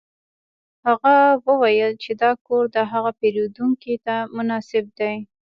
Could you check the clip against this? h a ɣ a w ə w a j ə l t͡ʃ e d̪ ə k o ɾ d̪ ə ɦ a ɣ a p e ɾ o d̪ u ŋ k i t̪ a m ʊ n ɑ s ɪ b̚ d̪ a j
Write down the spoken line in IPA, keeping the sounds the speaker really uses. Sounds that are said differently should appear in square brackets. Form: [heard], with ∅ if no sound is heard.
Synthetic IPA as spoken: h a ɣ a w ə w a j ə l t͡ʃ e d̪ [ɑ] k o ɾ d̪ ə ɦ a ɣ a p e ɾ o d̪ u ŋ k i t̪ a m ʊ n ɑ s ɪ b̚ d̪ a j